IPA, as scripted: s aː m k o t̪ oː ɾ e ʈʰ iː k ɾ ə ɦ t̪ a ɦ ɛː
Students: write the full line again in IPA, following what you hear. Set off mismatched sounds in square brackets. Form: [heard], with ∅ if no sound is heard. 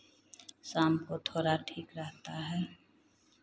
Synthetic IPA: s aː m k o [t̪ʰ] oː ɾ [a] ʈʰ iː k ɾ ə ɦ t̪ a ɦ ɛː

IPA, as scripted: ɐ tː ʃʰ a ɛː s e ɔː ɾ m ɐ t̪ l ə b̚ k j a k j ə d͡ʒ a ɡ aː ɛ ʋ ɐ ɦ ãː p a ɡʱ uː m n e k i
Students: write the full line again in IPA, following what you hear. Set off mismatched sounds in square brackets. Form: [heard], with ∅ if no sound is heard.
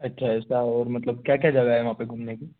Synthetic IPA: ɐ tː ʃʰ a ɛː s [a] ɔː ɾ m ɐ t̪ l ə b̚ k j a k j [a] d͡ʒ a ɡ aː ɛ ʋ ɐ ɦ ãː p [e] ɡʱ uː m n e k i

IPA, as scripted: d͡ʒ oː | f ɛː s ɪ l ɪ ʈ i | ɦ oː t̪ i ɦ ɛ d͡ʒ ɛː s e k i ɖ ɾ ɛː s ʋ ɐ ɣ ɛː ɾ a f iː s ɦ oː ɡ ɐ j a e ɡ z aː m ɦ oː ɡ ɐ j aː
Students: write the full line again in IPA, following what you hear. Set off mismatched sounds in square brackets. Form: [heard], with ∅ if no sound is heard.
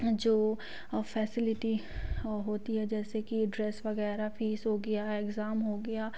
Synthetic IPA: d͡ʒ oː | f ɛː s ɪ l ɪ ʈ i | ɦ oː t̪ i ɦ ɛ d͡ʒ ɛː s e k i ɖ ɾ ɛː s ʋ ɐ ɣ ɛː ɾ a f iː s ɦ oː ɡ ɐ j a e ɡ z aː m ɦ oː ɡ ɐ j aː

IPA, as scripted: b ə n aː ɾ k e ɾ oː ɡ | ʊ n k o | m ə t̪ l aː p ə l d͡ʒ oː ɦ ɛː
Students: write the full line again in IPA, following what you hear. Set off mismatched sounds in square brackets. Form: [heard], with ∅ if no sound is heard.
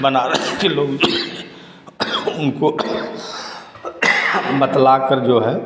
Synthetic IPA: b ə n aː ɾ k e [l] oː ɡ | ʊ n k o | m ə t̪ l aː [k] ə [ɾ] d͡ʒ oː ɦ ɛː

